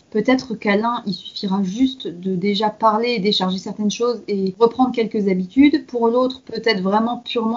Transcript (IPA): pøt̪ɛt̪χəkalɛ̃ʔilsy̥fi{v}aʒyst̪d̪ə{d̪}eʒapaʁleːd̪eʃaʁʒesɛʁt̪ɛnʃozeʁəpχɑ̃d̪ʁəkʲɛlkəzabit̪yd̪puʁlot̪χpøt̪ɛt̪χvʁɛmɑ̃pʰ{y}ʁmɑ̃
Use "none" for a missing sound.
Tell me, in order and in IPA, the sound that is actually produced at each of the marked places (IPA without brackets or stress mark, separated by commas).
ʁ, d̪, y